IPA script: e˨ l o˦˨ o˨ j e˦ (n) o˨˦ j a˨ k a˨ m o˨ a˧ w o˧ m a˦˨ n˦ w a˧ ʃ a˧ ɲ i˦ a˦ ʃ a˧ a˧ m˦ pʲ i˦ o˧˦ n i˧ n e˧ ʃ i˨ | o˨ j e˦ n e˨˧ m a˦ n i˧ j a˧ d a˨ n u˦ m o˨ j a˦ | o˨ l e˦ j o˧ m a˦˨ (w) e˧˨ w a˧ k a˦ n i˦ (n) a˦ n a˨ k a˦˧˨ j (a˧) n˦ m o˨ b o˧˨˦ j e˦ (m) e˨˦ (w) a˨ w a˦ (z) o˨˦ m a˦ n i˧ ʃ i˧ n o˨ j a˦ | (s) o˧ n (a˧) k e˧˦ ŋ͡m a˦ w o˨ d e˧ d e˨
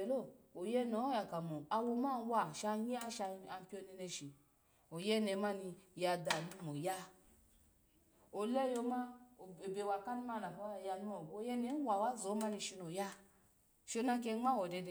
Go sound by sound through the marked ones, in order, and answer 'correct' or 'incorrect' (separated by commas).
correct, incorrect, incorrect, correct, incorrect, correct, correct, incorrect, correct